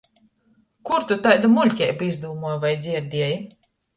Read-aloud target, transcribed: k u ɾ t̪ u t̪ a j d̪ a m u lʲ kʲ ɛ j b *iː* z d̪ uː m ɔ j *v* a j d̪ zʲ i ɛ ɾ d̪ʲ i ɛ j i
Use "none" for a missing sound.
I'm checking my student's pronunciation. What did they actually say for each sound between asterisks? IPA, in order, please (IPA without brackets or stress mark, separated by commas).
i, v